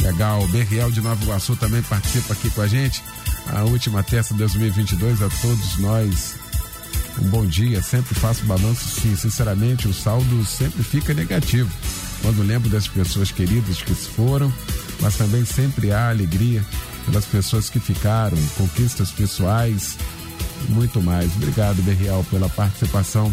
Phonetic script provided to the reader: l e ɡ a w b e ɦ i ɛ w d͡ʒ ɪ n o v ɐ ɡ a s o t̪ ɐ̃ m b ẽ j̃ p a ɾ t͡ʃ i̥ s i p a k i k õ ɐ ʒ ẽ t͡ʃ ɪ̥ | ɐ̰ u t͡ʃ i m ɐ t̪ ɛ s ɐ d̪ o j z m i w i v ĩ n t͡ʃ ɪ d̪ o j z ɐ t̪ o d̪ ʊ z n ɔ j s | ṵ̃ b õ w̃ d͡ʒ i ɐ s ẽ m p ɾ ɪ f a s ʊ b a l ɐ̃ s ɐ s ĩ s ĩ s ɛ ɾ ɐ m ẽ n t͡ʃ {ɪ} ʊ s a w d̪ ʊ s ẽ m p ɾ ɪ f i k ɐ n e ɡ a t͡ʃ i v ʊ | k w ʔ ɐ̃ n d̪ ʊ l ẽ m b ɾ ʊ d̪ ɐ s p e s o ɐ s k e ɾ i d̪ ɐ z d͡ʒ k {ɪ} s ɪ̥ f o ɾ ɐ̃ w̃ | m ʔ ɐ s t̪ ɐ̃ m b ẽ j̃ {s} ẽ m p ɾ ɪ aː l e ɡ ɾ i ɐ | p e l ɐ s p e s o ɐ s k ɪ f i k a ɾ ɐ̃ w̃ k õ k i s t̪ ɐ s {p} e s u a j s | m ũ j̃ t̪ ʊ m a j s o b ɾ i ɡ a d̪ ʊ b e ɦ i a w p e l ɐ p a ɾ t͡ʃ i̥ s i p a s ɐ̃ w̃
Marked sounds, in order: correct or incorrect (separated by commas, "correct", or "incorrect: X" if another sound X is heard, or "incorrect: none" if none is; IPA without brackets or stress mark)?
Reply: correct, correct, correct, correct